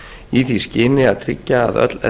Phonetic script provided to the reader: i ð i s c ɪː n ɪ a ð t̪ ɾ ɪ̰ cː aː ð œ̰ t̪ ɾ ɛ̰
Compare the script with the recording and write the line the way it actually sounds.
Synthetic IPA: i θ i s c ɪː n ɪ a ð t̪ʰ ɾ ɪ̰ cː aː ð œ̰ t̪ l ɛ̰